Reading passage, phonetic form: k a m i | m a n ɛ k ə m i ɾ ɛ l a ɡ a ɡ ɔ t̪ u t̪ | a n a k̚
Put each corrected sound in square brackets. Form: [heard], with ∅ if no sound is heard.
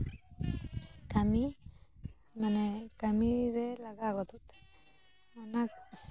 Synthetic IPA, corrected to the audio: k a m i | m a n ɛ k [a] m i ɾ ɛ l a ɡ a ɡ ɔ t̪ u t̪ | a n a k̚